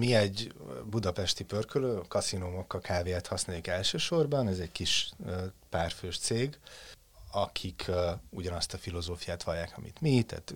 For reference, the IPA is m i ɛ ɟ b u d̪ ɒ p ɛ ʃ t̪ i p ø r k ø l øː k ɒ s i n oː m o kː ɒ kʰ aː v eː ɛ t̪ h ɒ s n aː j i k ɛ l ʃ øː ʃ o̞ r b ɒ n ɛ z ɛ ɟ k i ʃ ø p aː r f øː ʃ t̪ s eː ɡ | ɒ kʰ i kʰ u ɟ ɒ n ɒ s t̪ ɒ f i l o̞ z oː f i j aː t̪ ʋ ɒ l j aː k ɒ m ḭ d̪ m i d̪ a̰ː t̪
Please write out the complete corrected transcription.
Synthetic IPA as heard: m i ɛ ɟ b u d̪ ɒ p ɛ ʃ t̪ i p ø r k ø l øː k ɒ s i n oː m o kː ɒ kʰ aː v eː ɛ t̪ h ɒ s n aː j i k ɛ l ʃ øː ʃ o̞ r b ɒ n ɛ z ɛ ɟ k i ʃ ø p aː r f øː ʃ t̪ s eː ɡ | ɒ kʰ i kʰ u ɟ ɒ n ɒ s t̪ ɒ f i l o̞ z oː f i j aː t̪ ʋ ɒ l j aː k ɒ m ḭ t̪ m i t̪ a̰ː t̪